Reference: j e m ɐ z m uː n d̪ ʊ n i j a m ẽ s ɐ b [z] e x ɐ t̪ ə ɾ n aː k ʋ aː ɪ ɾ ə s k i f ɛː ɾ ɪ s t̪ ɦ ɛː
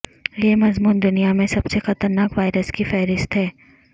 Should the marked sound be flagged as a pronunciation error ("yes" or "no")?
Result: yes